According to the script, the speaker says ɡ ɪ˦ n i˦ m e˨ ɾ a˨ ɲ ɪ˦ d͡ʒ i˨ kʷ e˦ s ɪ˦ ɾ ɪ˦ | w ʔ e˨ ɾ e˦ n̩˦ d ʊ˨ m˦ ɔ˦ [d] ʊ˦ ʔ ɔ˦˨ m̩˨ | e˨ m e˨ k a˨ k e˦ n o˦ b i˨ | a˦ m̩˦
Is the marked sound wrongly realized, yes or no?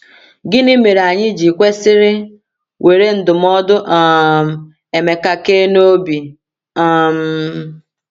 no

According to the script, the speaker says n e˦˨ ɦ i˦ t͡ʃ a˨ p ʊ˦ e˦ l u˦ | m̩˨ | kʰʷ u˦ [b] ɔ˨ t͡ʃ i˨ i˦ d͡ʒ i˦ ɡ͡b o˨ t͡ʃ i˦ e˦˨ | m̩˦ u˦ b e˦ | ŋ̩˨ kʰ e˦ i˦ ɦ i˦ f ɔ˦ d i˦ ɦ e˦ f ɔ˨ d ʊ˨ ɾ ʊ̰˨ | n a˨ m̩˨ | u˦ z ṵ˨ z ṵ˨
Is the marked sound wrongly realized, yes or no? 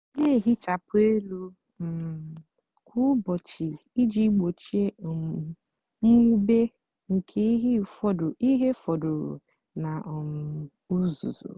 no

